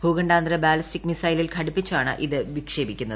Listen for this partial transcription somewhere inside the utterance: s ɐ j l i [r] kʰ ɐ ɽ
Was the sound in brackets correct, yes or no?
no